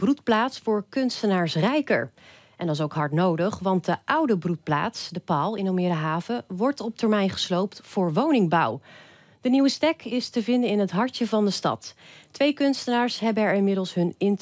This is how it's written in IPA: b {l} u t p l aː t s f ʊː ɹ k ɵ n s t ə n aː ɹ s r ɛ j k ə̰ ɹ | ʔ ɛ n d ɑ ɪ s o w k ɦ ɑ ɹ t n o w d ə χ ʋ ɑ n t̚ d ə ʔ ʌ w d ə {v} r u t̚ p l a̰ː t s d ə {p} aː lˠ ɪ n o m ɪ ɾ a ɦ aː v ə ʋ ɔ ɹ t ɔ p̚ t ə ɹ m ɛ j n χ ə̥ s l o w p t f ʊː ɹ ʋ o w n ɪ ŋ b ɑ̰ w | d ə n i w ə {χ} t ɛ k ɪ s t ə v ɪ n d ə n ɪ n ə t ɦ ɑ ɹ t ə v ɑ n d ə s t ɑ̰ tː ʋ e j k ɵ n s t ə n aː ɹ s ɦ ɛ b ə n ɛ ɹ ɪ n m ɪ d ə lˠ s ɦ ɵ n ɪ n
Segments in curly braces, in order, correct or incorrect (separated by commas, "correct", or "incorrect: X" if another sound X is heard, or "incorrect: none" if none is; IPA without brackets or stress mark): incorrect: r, incorrect: b, correct, incorrect: s